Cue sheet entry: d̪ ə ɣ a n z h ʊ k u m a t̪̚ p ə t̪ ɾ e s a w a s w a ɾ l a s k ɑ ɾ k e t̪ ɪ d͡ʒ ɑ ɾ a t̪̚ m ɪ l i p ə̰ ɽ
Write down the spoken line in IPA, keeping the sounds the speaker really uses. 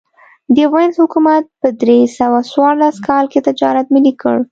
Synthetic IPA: d̪ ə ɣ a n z h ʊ k u m a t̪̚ p ə d̪ ɾ e s a w a s w ɑ ɾ l a s k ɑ l k e t̪ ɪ d͡ʒ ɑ ɾ a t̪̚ m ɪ l i k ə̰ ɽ